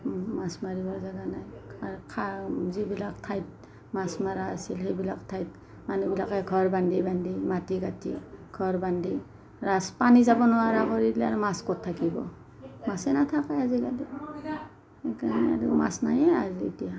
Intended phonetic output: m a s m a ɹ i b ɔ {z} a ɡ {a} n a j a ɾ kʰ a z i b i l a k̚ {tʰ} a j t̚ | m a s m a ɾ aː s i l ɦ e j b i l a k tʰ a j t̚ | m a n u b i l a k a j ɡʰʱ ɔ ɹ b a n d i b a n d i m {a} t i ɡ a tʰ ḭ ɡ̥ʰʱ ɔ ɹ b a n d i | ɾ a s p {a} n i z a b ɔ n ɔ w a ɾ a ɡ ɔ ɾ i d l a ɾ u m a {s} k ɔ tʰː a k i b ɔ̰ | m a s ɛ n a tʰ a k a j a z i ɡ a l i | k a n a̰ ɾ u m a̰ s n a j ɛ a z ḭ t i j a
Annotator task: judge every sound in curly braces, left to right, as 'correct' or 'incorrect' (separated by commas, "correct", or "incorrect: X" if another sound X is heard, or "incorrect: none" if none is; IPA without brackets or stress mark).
correct, correct, correct, correct, correct, correct